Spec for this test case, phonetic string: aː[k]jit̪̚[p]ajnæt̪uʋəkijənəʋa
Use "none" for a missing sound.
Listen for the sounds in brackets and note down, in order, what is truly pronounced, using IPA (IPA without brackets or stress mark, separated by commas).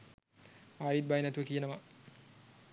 none, b